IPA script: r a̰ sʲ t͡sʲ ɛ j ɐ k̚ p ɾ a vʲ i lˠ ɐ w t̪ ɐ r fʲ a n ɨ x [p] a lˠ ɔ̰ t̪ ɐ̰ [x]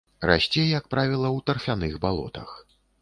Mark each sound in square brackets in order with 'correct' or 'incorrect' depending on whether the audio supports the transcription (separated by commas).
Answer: incorrect, correct